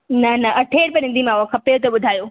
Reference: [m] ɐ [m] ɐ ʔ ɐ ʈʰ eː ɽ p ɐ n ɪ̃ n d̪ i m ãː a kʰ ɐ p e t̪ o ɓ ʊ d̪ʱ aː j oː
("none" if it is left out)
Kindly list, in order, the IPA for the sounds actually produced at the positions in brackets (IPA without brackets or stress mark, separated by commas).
n, n